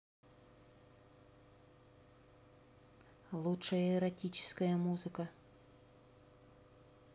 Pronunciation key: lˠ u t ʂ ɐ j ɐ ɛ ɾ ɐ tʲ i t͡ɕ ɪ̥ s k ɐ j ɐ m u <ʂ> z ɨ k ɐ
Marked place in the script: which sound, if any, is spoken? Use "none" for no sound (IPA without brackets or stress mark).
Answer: none